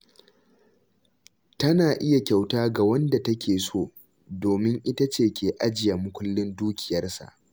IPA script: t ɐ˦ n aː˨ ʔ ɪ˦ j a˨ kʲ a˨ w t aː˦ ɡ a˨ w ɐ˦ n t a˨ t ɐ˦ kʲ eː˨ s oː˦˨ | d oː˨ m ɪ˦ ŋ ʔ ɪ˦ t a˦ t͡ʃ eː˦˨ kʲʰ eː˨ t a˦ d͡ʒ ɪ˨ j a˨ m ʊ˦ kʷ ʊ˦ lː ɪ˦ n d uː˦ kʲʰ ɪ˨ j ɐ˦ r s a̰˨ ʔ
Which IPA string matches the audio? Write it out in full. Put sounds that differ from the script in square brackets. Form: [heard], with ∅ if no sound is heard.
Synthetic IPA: t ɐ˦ n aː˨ ʔ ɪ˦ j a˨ kʲ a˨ w t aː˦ ɡ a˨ w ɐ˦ n [d] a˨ t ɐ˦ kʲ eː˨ s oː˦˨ | d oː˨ m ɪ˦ ŋ ʔ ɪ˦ t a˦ t͡ʃ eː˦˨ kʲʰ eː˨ [ʔ] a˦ d͡ʒ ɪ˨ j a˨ m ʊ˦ kʷ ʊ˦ lː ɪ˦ n d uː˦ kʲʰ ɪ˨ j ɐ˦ r s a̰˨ ʔ